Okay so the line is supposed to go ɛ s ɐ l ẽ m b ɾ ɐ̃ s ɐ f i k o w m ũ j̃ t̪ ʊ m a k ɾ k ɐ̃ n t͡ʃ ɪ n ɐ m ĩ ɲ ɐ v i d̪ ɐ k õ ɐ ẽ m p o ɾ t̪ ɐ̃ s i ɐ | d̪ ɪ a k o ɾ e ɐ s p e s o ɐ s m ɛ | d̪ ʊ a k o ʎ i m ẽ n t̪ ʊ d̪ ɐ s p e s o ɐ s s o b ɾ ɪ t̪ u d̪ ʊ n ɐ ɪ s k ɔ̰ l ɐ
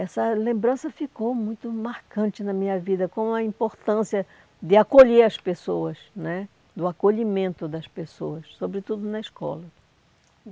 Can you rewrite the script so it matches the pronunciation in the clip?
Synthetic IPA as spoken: ɛ s ɐ l ẽ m b ɾ ɐ̃ s ɐ f i k o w m ũ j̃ t̪ ʊ m a ɾ k ɐ̃ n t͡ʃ ɪ n ɐ m ĩ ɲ ɐ v i d̪ ɐ k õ ɐ ĩ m p o ɾ t̪ ɐ̃ s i ɐ | d̪ ɪ a k o ʎ e ɐ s p e s o ɐ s n ɛ | d̪ ʊ a k o ʎ i m ẽ n t̪ ʊ d̪ ɐ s p e s o ɐ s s o b ɾ ɪ t̪ u d̪ ʊ n ɐ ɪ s k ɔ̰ l ɐ